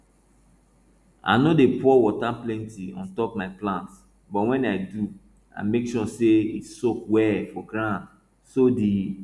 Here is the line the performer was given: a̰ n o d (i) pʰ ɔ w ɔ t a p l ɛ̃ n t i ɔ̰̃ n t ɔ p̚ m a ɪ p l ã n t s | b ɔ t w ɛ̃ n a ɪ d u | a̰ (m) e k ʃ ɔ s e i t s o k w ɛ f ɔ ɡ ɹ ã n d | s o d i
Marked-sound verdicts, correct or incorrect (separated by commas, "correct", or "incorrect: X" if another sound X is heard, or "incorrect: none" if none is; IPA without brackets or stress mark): incorrect: e, correct